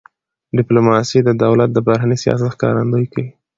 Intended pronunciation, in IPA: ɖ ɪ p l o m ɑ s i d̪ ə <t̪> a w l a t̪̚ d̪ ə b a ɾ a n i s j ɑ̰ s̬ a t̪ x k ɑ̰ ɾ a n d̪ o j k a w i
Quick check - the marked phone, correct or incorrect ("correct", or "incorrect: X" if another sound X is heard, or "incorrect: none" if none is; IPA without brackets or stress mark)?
incorrect: d̪